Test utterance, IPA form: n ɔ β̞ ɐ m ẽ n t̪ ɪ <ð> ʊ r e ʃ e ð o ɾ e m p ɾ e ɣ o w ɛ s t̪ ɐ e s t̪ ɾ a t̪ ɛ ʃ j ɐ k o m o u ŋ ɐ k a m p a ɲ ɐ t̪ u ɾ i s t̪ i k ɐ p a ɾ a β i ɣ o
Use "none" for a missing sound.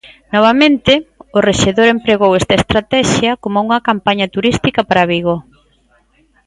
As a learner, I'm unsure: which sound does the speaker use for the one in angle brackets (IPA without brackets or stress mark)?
none